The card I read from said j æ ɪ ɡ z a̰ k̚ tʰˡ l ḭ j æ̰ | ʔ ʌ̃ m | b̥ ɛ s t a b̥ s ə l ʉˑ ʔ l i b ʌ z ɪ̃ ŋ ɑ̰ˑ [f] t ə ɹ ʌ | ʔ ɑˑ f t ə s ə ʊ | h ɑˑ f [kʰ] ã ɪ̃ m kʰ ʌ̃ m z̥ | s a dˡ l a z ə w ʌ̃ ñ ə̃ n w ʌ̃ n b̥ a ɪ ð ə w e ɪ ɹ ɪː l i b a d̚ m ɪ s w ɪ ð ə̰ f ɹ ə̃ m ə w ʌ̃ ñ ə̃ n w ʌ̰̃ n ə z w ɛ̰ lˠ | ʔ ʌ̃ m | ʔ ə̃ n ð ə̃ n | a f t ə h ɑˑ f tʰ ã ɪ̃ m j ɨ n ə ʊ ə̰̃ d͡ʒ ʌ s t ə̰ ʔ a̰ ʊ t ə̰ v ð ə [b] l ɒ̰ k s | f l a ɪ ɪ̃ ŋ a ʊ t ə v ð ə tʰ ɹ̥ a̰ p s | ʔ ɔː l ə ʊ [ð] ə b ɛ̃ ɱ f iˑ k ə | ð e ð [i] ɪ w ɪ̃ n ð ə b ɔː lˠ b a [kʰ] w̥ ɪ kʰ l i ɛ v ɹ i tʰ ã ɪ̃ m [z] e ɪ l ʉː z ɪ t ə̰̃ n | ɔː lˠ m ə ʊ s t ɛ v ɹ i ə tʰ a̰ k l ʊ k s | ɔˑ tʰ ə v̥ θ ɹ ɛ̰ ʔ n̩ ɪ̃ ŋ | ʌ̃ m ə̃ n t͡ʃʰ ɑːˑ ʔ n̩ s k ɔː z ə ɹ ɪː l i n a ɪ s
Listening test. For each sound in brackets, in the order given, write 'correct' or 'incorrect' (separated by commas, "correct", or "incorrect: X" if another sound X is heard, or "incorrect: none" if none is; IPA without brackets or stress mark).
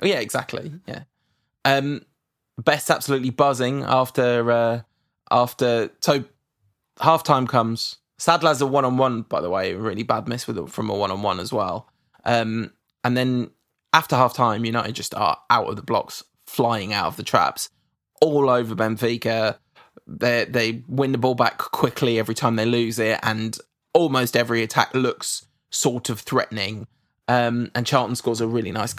correct, incorrect: tʰ, correct, incorrect: v, incorrect: e, correct, incorrect: ð